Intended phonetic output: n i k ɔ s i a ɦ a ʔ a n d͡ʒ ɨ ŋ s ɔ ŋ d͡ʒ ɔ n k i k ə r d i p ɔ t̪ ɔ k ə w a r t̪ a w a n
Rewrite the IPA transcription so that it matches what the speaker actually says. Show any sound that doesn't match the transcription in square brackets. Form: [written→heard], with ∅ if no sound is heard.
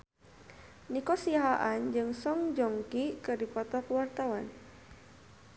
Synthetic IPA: n i k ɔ s i a ɦ a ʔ a n d͡ʒ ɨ ŋ s ɔ ŋ d͡ʒ ɔ [n→ŋ] k i k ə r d i p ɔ t̪ ɔ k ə w a r t̪ a w a n